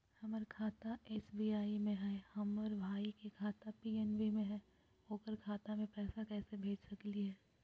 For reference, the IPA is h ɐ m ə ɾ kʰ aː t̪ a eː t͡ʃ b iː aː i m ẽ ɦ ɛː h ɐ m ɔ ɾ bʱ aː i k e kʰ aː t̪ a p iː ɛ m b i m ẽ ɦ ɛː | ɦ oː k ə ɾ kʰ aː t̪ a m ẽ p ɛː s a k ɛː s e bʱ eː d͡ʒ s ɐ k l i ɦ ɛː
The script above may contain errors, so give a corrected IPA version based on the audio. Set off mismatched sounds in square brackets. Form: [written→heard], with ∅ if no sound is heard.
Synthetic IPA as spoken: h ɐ m ə ɾ kʰ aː t̪ a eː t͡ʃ b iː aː i m ẽ ɦ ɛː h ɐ m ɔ ɾ bʱ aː i k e kʰ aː t̪ a p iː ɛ [m→n] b i m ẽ ɦ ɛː | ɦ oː k ə ɾ kʰ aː t̪ a m ẽ p ɛː s a k ɛː s e bʱ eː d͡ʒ s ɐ k l i ɦ ɛː

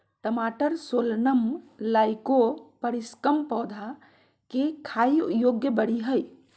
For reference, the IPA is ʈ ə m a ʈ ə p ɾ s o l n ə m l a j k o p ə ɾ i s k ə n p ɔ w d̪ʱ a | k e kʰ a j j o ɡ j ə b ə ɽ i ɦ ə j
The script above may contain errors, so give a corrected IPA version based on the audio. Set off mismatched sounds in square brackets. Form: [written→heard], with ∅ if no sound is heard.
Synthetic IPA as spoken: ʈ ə m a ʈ ə [p→∅] ɾ s o l n ə m l a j k o p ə ɾ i s k ə [n→m] p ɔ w d̪ʱ a | k e kʰ a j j o ɡ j ə b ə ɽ i ɦ ə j

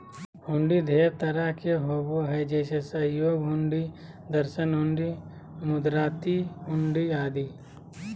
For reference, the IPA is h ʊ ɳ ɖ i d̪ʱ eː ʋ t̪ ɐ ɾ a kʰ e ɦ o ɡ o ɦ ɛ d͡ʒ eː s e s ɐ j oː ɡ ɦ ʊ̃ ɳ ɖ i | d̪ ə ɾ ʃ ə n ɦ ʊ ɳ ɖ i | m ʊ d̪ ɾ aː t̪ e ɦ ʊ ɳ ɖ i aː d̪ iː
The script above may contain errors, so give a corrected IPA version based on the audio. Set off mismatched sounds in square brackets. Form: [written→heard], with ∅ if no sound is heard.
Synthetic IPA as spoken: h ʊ ɳ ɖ i d̪ʱ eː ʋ t̪ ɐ ɾ a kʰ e ɦ o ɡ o ɦ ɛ d͡ʒ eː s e s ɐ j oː ɡ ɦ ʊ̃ ɳ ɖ i | d̪ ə ɾ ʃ ə n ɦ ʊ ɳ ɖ i | m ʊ d̪ ɾ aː t̪ [e→i] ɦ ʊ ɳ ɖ i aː d̪ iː

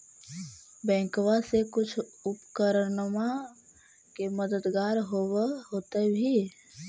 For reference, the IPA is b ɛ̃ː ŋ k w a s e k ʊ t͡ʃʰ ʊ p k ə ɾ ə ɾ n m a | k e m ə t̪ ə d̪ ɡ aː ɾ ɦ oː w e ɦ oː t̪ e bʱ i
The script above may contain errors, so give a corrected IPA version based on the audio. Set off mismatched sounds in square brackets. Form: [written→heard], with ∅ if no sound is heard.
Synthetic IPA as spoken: b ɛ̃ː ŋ k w a s e k ʊ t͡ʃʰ ʊ p k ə ɾ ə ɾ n m a | k e m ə [t̪→d̪] ə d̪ ɡ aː ɾ ɦ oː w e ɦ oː t̪ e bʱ i

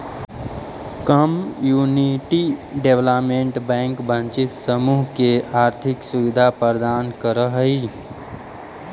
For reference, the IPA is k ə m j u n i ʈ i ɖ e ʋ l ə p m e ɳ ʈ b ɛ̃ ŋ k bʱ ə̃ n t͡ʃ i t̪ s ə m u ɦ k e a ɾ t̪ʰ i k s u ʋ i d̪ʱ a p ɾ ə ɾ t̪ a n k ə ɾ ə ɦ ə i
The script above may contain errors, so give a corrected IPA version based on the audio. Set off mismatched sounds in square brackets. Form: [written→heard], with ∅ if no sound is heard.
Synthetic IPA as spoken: k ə m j u n i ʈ i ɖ e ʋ l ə p m e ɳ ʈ b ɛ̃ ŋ k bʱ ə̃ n t͡ʃ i t̪ s ə m u ɦ k e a ɾ t̪ʰ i k s u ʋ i d̪ʱ a p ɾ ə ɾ [t̪→d̪] a n k ə ɾ ə ɦ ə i

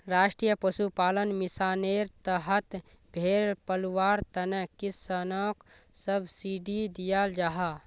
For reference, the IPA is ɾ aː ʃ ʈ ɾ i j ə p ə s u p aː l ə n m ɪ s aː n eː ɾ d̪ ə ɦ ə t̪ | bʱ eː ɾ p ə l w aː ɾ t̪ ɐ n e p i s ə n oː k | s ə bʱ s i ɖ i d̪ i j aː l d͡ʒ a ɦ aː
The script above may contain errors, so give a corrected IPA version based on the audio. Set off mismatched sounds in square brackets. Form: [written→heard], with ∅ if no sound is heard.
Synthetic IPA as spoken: ɾ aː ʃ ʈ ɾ i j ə p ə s u p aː l ə n m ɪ s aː n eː ɾ [d̪→t̪] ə ɦ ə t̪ | bʱ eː ɾ p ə l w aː ɾ t̪ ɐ n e [p→k] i s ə n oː k | s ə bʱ s i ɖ i d̪ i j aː l d͡ʒ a ɦ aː

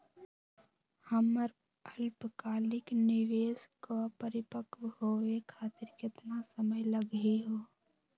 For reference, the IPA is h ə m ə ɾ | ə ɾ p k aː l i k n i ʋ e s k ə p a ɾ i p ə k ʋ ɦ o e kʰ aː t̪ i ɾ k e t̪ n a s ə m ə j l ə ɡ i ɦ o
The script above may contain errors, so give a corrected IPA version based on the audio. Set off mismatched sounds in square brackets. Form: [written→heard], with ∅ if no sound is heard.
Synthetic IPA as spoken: h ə m ə ɾ | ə [ɾ→l] p k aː l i k n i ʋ e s k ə p [a→ə] ɾ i p ə k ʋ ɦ o e kʰ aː t̪ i ɾ k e t̪ n a s ə m ə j l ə ɡ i ɦ o

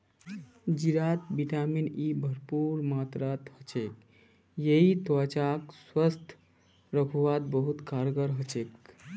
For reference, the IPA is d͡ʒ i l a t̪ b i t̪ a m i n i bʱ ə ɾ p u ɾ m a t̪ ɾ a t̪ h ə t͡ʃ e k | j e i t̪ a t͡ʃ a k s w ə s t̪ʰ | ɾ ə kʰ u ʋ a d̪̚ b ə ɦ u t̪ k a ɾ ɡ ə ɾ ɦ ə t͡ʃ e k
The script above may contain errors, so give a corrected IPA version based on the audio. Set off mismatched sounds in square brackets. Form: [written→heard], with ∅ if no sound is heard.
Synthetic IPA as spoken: d͡ʒ i [l→ɾ] a t̪ b i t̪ a m i n i bʱ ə ɾ p u ɾ m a t̪ ɾ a t̪ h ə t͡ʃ e k | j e i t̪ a t͡ʃ a k s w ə s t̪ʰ | ɾ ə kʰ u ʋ a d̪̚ b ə ɦ u t̪ k a ɾ ɡ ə ɾ ɦ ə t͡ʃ e k

